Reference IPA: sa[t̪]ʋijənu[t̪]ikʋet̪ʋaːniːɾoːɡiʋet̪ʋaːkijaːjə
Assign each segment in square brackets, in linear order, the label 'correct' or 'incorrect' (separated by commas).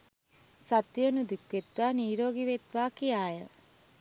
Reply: correct, incorrect